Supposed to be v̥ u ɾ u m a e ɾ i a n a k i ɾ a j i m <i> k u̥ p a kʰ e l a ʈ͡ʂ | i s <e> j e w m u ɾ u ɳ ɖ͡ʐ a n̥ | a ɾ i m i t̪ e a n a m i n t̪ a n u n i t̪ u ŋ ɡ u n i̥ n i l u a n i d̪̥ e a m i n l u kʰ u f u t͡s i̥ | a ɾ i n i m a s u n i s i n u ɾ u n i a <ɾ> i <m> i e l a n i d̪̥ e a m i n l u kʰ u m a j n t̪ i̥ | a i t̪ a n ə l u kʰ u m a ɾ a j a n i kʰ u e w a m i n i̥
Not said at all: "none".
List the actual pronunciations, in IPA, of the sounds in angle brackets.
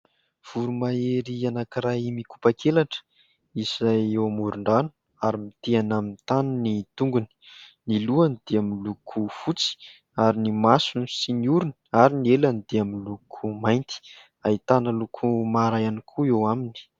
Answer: i, a, ɾ, n

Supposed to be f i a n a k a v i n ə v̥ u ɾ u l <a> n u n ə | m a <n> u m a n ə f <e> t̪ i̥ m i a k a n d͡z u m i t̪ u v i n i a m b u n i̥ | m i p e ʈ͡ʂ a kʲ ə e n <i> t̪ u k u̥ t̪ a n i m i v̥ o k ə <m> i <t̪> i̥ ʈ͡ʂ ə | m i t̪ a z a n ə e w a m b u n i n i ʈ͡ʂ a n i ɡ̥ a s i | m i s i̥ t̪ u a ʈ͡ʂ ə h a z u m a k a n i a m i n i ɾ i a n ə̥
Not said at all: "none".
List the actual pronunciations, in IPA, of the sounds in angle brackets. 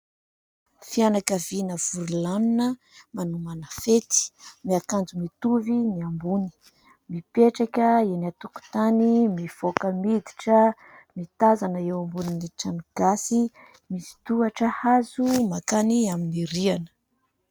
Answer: a, n, e, a, m, d̪

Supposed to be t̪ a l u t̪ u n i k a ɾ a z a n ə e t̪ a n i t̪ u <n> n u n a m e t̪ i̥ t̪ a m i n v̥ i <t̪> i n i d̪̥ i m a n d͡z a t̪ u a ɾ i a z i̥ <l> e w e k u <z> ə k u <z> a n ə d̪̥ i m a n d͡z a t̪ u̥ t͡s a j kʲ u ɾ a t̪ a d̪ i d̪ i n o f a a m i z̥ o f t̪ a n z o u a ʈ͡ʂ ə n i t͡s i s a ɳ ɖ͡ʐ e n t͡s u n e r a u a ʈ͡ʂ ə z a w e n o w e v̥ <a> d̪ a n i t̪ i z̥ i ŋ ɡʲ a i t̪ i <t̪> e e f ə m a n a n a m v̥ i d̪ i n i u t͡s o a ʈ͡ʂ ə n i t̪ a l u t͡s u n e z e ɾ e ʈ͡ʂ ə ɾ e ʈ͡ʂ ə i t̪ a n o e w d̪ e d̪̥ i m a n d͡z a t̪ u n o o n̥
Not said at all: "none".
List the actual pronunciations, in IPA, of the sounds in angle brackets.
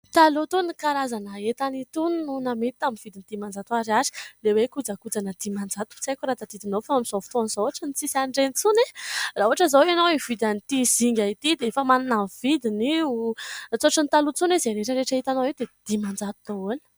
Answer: n, d̪, l, d͡z, d͡z, i, d̪

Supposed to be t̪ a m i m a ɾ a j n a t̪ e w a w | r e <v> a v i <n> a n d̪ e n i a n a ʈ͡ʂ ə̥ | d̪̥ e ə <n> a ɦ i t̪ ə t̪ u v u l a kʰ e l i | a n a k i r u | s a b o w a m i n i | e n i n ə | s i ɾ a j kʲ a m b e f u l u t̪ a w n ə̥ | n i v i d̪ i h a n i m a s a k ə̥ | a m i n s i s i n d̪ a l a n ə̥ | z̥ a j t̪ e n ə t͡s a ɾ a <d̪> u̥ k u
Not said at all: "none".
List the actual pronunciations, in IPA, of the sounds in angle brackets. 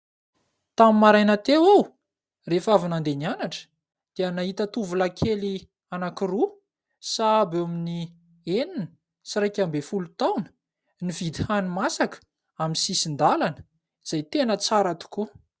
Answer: f, n, n, t̪

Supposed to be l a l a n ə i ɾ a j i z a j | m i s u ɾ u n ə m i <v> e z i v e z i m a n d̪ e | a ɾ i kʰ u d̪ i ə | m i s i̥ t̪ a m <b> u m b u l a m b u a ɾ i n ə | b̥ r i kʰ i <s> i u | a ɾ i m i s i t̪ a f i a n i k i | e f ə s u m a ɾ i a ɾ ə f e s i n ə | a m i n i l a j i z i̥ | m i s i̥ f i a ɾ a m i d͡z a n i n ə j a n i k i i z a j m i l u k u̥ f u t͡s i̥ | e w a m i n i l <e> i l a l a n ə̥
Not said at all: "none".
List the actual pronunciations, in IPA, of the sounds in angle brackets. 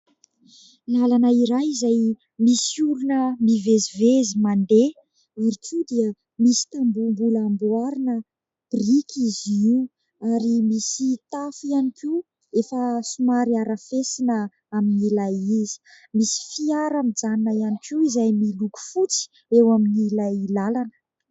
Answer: v, b, z, a

